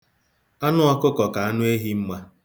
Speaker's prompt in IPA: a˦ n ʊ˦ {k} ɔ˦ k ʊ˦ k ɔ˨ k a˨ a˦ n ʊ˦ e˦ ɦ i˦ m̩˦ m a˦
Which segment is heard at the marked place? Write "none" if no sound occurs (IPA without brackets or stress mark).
none